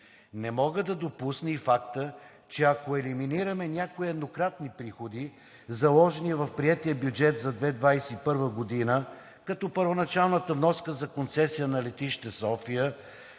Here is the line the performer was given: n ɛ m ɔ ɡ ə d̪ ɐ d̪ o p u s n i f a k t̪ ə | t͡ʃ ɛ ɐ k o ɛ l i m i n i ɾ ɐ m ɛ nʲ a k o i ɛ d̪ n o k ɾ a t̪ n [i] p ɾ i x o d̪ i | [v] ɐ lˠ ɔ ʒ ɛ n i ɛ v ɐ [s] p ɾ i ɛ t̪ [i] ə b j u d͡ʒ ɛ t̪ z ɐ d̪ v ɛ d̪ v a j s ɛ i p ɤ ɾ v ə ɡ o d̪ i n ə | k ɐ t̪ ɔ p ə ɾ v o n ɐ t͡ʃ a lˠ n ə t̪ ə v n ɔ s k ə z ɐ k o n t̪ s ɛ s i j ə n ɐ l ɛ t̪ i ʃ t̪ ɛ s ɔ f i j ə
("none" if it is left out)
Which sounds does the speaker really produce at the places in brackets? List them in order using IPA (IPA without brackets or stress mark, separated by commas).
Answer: i, z, f, i